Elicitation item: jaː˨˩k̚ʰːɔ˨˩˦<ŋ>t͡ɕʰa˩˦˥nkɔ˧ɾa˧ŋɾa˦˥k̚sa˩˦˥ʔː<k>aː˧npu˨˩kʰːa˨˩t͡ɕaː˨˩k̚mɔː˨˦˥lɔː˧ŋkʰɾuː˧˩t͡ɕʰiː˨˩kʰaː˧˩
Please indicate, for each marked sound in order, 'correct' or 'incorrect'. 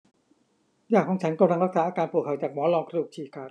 correct, correct

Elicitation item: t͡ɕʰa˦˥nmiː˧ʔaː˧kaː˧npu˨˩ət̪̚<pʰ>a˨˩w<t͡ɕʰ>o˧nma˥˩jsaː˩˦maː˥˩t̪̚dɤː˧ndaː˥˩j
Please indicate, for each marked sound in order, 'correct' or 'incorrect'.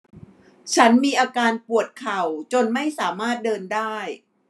incorrect: kʰ, incorrect: t͡ɕ

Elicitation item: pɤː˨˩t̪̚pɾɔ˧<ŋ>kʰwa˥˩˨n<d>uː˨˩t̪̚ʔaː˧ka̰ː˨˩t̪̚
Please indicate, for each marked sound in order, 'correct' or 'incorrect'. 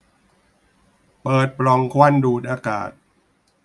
correct, correct

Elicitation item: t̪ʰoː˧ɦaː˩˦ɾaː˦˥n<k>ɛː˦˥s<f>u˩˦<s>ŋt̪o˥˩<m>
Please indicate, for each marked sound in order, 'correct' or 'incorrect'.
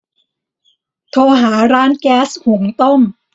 correct, incorrect: h, incorrect: none, correct

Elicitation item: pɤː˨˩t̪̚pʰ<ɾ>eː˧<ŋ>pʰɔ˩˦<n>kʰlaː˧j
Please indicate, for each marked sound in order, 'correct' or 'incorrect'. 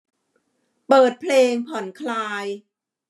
incorrect: l, correct, correct

